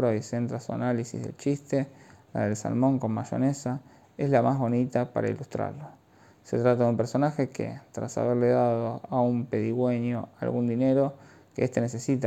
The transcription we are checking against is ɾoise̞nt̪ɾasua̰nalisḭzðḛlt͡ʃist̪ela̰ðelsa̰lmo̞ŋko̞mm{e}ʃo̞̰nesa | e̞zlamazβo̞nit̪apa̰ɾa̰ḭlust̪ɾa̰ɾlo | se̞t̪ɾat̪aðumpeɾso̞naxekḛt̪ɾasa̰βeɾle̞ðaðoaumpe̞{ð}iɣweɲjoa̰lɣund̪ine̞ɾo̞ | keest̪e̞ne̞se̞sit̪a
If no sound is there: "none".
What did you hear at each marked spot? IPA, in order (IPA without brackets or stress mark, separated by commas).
a, ð